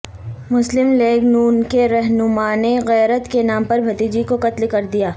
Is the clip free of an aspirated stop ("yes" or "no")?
yes